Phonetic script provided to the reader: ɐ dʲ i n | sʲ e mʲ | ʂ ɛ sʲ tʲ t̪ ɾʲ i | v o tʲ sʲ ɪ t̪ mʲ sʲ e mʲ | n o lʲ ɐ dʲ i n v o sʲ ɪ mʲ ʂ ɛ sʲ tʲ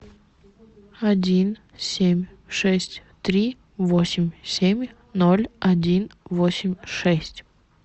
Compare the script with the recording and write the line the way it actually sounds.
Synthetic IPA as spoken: ɐ dʲ i n | sʲ e mʲ | ʂ ɛ sʲ tʲ t̪ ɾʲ i | v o sʲ ɪ mʲ sʲ e mʲ | n o lʲ ɐ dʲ i n v o sʲ ɪ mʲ ʂ ɛ sʲ tʲ